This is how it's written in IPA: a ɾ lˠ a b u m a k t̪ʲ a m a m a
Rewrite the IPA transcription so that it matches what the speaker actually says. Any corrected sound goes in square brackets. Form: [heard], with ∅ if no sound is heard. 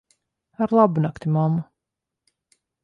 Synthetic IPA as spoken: a ɾ lˠ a b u [n] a k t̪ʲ [i] m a m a